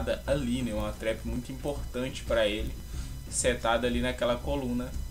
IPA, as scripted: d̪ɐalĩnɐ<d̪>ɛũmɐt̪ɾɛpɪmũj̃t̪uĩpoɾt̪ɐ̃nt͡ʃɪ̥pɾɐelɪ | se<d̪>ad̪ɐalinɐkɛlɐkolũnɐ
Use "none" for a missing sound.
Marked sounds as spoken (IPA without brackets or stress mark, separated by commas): none, t̪